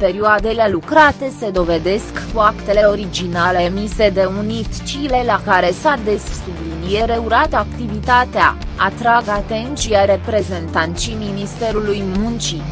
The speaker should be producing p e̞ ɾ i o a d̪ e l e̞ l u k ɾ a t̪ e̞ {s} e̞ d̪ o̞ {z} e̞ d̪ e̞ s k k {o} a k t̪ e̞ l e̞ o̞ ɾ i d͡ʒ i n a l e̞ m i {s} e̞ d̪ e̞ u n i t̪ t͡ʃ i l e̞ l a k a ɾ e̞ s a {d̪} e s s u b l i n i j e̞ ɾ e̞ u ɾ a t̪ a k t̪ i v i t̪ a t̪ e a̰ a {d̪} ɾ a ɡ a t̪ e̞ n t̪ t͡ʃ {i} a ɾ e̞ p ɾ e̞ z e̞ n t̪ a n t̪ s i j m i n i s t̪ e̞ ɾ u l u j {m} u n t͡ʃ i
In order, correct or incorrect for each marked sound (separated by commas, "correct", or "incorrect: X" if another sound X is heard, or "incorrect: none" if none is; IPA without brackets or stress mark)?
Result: correct, incorrect: v, incorrect: u, correct, correct, incorrect: t̪, correct, correct